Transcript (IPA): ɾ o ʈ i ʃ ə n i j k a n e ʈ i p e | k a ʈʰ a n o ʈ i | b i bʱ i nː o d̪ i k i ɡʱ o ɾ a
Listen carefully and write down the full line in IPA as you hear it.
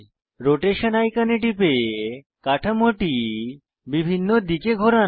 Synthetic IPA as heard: ɾ o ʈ e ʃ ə n a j k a n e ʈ i p e | k a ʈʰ a m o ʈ i | b i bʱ i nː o d̪ i k e ɡʱ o ɾ a